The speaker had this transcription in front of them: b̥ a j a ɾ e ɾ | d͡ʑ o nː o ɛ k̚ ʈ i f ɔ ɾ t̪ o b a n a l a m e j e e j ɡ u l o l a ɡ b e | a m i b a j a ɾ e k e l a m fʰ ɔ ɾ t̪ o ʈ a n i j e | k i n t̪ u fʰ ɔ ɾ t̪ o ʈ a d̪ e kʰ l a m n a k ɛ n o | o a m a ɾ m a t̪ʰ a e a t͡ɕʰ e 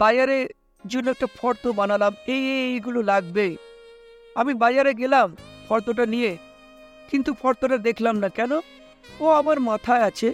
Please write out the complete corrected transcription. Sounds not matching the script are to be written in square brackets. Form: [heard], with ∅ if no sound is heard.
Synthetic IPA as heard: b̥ a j a ɾ e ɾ | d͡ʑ o nː o ɛ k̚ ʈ [a] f ɔ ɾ t̪ o b a n a l a m e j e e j ɡ u l o l a ɡ b e | a m i b a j a ɾ e [ɡ] e l a m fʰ ɔ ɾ t̪ o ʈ a n i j e | k i n t̪ u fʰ ɔ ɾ t̪ o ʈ a d̪ e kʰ l a m n a k ɛ n o | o a m a ɾ m a t̪ʰ a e a t͡ɕʰ e